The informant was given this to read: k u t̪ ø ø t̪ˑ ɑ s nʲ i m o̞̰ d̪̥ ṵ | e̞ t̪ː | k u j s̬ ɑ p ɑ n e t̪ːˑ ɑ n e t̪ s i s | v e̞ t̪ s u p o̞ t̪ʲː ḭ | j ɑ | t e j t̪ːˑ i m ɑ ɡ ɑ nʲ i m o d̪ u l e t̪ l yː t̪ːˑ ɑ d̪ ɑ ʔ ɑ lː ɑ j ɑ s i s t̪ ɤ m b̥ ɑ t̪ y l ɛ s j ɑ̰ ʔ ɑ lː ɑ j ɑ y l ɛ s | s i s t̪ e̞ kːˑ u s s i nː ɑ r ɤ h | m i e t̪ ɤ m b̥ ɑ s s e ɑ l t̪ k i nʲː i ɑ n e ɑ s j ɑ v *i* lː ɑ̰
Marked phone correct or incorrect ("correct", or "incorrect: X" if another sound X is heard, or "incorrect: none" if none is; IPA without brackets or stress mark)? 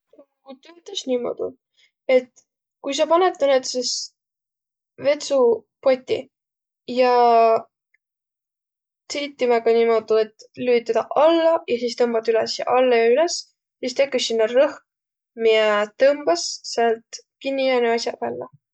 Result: incorrect: æ